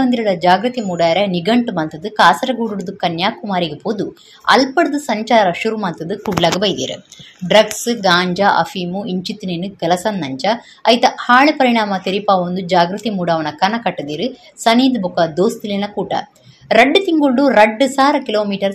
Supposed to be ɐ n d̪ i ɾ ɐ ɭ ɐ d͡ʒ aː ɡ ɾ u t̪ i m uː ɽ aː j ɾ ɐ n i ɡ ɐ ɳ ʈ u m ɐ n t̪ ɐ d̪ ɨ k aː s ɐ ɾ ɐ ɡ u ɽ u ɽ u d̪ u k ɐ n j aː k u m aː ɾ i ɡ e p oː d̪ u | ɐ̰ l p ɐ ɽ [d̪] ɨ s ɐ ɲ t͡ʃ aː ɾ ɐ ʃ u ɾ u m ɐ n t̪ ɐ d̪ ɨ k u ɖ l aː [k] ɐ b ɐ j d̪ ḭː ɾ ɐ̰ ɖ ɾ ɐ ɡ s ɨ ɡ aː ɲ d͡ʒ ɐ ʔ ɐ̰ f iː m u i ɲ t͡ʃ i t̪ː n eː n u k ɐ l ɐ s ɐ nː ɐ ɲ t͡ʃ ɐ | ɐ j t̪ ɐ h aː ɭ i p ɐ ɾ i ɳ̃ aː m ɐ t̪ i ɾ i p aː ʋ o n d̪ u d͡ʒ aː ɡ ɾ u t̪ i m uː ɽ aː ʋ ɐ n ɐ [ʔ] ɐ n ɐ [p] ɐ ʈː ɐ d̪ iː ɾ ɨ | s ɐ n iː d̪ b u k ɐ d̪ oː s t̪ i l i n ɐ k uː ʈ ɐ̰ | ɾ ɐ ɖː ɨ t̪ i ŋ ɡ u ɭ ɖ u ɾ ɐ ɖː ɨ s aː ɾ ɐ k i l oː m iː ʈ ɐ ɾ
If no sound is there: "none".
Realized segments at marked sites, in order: d̪, ɡ, k, k

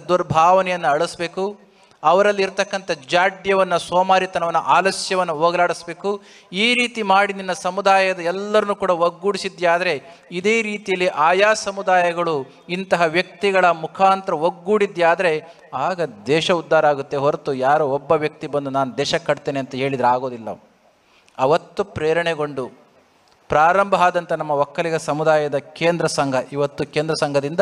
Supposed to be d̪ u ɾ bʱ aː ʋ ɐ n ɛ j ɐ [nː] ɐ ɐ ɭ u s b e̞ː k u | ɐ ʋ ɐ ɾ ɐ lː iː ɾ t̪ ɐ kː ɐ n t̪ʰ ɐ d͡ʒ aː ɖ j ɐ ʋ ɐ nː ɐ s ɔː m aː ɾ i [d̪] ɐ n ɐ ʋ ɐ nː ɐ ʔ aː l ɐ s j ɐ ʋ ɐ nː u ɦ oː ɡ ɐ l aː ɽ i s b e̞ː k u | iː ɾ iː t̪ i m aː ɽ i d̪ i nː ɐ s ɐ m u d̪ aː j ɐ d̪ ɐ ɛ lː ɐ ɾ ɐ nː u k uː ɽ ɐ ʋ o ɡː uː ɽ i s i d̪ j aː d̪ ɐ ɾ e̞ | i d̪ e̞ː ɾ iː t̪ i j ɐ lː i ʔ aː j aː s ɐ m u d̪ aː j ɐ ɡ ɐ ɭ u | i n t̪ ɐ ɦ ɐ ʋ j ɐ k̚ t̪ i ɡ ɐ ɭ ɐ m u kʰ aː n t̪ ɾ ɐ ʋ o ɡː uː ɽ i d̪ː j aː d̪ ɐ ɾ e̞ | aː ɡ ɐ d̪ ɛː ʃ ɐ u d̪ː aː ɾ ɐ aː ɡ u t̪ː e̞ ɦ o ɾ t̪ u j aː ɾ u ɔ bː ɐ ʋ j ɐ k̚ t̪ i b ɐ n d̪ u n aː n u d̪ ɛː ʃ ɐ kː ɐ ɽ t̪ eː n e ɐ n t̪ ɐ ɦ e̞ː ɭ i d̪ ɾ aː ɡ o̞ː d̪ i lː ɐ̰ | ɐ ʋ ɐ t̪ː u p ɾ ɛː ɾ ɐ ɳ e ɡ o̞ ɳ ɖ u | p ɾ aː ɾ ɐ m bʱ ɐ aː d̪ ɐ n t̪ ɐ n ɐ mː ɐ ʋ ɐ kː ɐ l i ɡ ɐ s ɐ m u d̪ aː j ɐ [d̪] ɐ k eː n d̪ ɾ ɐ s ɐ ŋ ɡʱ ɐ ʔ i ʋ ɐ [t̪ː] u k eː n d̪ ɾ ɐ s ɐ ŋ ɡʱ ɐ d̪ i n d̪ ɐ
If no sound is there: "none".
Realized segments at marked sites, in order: nː, t̪, d̪, t̪ː

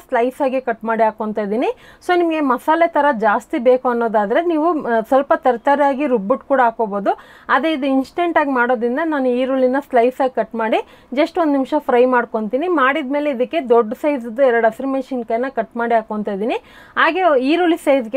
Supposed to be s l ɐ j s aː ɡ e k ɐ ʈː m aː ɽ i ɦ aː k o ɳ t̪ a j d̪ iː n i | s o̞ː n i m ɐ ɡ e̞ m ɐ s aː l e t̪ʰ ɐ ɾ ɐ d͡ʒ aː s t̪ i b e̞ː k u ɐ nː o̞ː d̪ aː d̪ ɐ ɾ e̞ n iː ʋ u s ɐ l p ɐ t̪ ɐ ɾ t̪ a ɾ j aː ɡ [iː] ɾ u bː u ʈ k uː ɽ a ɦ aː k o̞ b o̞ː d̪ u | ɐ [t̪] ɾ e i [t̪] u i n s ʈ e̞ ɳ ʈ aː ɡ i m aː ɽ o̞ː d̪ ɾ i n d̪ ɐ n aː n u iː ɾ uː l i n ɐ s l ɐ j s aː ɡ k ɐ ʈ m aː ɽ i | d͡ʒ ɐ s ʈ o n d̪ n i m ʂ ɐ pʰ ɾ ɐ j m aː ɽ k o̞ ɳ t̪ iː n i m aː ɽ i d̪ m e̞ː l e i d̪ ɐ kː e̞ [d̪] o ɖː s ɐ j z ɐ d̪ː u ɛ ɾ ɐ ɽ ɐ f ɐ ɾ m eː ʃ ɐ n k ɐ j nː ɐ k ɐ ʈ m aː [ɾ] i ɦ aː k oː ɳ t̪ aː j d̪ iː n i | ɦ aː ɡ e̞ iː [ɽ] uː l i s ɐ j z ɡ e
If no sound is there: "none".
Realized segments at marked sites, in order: i, d̪, d̪, d̪, ɽ, ɾ

